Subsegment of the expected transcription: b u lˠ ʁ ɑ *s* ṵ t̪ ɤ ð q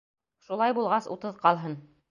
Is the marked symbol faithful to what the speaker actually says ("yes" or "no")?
yes